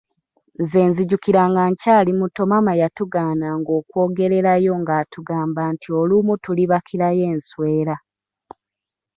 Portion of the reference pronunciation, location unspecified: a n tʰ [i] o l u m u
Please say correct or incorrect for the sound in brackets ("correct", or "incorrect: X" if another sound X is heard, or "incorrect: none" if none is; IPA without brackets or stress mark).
correct